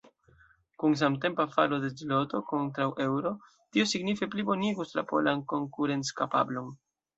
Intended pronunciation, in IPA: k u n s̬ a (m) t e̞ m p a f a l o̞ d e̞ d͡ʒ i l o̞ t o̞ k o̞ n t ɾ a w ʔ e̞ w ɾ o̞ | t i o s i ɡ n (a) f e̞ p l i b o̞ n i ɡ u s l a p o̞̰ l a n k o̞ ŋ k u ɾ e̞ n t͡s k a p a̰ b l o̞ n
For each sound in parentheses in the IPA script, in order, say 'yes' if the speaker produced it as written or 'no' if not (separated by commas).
yes, no